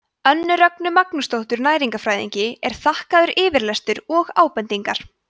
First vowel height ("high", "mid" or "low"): mid